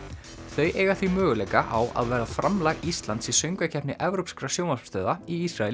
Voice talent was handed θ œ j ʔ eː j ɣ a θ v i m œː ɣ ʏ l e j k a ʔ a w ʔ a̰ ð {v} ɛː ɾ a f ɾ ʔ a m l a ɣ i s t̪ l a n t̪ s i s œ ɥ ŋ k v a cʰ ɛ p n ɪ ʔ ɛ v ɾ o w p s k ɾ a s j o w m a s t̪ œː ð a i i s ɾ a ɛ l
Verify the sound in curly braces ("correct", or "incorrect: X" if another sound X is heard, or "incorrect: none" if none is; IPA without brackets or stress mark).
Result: correct